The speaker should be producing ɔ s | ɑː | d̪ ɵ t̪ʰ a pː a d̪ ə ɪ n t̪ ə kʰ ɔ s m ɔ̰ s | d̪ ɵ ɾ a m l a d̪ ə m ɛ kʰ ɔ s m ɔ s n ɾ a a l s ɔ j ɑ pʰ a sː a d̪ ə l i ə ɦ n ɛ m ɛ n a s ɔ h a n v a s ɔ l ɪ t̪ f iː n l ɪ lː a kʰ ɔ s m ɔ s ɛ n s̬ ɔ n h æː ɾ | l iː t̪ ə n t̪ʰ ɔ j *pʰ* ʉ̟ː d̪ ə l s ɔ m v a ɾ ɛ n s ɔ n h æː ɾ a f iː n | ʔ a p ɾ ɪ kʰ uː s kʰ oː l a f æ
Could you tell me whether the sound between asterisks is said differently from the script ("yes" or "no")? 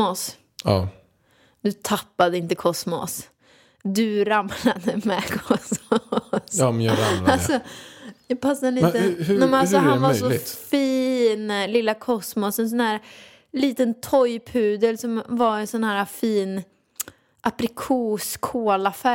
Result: no